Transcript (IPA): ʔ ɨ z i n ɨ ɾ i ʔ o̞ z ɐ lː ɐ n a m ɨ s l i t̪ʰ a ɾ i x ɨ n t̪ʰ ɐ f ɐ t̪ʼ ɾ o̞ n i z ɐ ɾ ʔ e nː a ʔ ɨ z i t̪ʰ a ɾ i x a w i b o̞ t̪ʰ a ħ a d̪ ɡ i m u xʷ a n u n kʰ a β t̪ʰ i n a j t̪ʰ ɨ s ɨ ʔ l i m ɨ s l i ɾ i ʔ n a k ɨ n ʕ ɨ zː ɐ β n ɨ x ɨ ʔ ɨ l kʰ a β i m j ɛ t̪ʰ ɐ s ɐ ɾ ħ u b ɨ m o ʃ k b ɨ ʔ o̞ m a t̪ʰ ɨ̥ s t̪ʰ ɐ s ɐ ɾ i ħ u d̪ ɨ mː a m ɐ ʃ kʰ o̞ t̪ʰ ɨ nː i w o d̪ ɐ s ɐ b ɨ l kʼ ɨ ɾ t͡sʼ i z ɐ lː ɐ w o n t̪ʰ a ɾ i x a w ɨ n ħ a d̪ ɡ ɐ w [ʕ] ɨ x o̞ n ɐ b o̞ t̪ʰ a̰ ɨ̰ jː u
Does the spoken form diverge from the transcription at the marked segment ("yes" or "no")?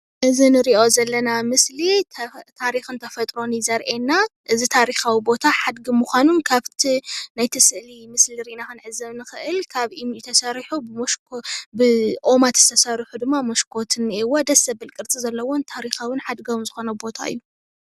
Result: yes